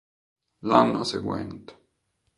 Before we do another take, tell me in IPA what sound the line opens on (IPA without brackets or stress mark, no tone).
l